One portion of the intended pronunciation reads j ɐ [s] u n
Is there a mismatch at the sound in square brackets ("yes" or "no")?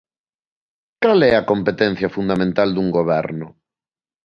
yes